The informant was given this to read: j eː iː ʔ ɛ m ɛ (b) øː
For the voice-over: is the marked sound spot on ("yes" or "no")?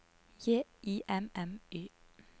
no